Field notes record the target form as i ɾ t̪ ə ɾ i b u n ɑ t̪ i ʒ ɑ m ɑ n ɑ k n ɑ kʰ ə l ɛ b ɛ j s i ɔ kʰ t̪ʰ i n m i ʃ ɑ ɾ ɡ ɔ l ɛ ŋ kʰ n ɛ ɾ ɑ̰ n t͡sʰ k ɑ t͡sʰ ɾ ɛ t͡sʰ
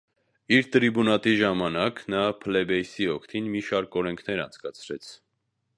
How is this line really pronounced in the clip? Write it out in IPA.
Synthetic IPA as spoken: i ɾ t̪ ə ɾ i b u n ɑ t̪ i ʒ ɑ m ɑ n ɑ k n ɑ pʰ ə l ɛ b ɛ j s i ɔ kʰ t̪ʰ i n m i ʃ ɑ ɾ k ɔ ɾ ɛ ŋ kʰ n ɛ ɾ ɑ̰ n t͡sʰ k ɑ t͡sʰ ɾ ɛ t͡sʰ